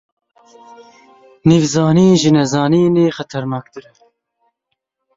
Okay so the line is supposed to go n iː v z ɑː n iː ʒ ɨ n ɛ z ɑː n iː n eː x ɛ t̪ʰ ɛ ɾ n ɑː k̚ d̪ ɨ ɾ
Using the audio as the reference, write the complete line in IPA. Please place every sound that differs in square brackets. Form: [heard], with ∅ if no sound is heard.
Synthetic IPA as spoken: n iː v z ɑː n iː ʒ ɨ n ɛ z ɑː n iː n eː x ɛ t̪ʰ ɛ ɾ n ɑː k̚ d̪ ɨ ɾ